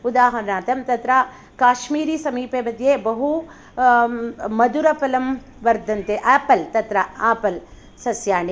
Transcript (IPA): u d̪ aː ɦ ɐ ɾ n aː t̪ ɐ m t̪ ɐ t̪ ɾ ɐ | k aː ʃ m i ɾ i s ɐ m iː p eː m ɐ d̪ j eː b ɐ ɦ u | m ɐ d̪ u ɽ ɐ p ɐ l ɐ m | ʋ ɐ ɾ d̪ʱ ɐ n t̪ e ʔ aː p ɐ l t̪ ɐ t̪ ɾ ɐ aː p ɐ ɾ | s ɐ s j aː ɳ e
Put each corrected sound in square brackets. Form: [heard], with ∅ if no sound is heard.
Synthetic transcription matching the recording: u d̪ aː ɦ ɐ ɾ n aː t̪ ɐ m t̪ ɐ t̪ ɾ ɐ | k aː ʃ m [iː] ɾ i s ɐ m iː p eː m ɐ d̪ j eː b ɐ ɦ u | m ɐ d̪ u [ɾ] ɐ p ɐ l ɐ m | ʋ ɐ ɾ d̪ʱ ɐ n t̪ e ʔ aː p ɐ l t̪ ɐ t̪ ɾ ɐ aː p ɐ [l] | s ɐ s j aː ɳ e